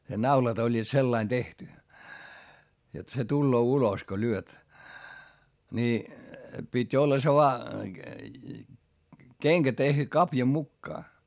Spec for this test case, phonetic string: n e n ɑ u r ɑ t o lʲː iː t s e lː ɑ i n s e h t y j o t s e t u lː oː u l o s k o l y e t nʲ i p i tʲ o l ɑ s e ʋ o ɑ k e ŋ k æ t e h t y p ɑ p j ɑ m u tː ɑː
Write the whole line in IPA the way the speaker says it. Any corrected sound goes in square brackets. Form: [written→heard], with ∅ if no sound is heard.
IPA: n e n ɑ u [r→l] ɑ t o lʲː iː t s e lː ɑ i n [s→t] e h t y j o t s e t u lː oː u l o s k o l y [e→ø] t nʲ i p i tʲ o [l→lː] ɑ s e ʋ o ɑ k e ŋ k æ t e h t y [p→k] ɑ p j ɑ m u [tː→kː] ɑː